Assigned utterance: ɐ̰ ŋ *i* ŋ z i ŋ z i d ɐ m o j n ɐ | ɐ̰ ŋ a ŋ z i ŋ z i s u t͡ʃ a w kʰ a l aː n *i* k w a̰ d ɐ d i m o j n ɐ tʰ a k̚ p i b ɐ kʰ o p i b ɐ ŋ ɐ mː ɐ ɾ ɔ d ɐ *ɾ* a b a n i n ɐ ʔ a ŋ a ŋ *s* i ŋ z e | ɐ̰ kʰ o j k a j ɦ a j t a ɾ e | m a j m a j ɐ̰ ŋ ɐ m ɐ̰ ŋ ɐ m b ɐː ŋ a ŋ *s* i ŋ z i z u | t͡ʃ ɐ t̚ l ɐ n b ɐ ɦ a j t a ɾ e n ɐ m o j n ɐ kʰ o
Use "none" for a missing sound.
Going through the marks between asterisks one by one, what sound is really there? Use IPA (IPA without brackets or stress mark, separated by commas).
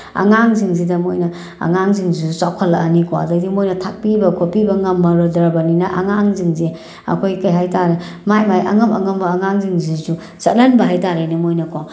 a, i, ɾ, z, z